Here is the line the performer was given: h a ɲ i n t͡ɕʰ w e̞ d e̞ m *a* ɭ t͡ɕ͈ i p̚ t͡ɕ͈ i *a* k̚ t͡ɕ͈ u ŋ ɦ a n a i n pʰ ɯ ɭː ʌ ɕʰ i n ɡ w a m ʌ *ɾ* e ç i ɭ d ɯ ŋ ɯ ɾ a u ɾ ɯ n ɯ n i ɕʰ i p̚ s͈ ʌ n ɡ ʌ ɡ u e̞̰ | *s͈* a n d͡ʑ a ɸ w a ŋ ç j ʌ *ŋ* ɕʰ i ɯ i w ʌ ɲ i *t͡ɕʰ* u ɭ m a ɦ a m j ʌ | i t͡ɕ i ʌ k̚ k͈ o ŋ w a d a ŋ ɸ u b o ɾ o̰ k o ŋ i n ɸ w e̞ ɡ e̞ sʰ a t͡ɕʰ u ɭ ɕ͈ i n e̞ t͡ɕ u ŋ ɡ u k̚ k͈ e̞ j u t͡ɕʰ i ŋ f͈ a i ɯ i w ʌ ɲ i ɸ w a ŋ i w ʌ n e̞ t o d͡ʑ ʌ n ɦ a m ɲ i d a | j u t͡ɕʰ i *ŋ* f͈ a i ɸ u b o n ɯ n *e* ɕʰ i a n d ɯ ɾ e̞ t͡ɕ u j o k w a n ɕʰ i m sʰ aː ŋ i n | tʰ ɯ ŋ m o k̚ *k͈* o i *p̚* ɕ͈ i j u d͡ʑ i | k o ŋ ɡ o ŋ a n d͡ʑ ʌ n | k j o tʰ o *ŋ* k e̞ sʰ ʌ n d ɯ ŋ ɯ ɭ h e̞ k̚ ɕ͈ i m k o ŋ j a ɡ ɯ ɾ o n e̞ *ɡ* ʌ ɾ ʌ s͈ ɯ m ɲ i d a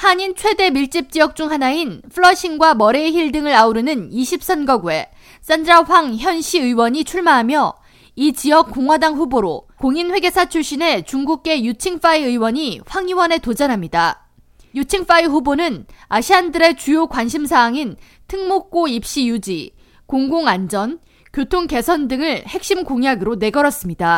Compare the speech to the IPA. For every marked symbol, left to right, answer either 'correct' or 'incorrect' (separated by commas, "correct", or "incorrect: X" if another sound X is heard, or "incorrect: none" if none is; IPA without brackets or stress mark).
incorrect: i, incorrect: ʌ, correct, correct, incorrect: n, correct, correct, incorrect: a, correct, correct, correct, correct